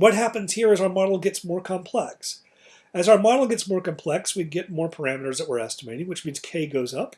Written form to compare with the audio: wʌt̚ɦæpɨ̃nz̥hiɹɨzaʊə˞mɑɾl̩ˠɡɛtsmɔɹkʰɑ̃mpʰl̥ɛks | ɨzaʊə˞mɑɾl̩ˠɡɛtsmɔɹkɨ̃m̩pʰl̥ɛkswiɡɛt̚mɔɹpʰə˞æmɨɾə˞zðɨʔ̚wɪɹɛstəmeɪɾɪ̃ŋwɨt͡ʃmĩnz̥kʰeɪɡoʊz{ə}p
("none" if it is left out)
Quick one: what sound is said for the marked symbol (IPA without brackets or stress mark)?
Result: ʌ